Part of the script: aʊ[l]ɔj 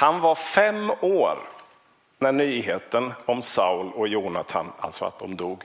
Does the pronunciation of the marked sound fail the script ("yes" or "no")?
no